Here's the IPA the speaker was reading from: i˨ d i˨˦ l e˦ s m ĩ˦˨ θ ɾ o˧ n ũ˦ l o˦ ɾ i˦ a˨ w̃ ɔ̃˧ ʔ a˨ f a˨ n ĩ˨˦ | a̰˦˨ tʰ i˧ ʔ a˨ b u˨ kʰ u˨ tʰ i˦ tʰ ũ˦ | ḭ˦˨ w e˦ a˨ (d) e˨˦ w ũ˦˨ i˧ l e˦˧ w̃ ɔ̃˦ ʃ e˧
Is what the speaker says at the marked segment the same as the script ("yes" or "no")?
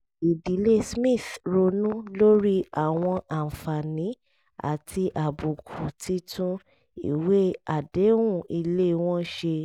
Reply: yes